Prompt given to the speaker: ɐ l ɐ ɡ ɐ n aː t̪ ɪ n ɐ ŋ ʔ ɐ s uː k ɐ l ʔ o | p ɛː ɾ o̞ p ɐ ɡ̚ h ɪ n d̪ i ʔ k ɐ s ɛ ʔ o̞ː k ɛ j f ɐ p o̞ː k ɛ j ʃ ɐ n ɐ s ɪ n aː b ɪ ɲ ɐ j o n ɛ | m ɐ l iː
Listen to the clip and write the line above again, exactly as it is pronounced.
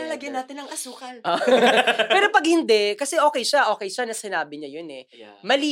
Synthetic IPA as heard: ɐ l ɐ ɡ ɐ n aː t̪ ɪ n ɐ ŋ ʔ ɐ s uː k ɐ l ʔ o | p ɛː ɾ o̞ p ɐ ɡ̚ h ɪ n d̪ ɛ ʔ k ɐ s ɛ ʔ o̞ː k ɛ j ʃ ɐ ʔ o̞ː k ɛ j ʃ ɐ n ɐ s ɪ n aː b ɪ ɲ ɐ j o n ɛ | m ɐ l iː